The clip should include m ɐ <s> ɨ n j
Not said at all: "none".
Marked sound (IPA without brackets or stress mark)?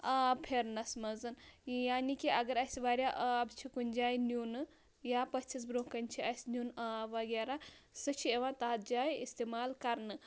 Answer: z